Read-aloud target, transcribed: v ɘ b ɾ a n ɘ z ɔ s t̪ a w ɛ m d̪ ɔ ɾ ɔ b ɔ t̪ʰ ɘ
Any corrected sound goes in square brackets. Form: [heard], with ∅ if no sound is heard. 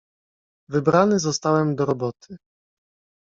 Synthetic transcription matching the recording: v ɘ b ɾ a n ɘ z ɔ s t̪ a w ɛ m d̪ ɔ ɾ ɔ b ɔ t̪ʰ ɘ